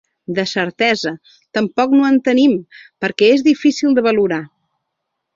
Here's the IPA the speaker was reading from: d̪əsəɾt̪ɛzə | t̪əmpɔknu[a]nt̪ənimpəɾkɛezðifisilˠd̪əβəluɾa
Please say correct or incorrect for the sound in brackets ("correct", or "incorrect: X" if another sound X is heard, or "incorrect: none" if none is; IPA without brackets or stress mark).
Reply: incorrect: ə